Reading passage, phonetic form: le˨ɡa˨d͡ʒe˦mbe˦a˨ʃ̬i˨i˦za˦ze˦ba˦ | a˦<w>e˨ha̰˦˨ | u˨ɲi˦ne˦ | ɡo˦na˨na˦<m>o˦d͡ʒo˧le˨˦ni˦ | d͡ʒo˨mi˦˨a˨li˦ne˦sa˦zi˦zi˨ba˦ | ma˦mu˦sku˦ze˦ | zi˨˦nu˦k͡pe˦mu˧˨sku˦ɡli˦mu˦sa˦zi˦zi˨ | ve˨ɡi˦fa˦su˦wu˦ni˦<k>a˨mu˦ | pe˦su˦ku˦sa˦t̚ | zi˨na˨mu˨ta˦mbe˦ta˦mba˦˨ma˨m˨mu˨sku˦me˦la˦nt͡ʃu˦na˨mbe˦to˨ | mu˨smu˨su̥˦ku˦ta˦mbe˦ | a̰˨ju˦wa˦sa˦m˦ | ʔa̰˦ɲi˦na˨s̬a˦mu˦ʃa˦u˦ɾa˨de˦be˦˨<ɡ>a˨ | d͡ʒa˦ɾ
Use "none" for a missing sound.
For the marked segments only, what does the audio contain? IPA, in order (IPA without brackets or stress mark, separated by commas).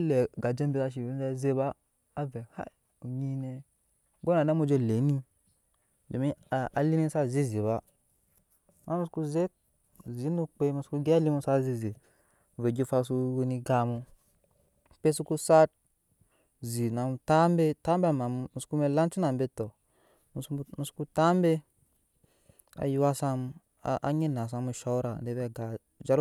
v, m, ɡ, ɡ